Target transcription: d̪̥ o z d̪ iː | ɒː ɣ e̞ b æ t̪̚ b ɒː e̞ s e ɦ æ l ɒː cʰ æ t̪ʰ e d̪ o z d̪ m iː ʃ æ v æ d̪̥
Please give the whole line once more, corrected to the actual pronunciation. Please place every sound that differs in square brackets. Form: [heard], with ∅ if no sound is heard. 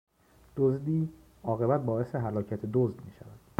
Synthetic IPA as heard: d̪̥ o z d̪ iː | ɒː ɣ e̞ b æ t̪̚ b ɒː e̞ s e ɦ æ l ɒː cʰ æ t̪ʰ e d̪ o z d̪ m iː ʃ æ v æ d̪̥